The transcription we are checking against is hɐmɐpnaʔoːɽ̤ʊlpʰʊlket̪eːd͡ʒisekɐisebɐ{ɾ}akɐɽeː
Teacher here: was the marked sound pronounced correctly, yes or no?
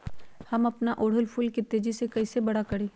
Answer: no